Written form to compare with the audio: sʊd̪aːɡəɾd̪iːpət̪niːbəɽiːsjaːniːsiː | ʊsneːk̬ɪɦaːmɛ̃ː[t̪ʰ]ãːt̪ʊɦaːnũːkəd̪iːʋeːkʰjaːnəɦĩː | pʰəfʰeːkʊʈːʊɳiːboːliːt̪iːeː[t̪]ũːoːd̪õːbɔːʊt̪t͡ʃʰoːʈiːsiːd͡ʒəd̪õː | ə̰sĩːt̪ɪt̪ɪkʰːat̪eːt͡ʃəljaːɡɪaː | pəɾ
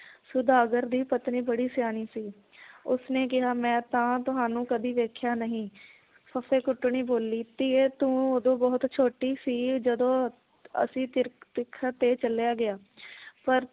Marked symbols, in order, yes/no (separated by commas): no, yes